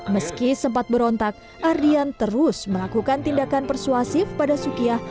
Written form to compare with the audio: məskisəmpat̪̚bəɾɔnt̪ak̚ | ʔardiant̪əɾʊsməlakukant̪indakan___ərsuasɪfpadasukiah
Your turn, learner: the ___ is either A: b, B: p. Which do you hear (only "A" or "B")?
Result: B